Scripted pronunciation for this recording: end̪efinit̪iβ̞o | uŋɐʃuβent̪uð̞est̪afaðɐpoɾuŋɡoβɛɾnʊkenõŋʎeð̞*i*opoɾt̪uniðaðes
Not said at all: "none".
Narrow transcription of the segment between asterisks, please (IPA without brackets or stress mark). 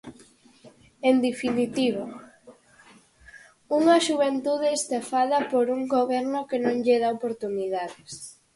a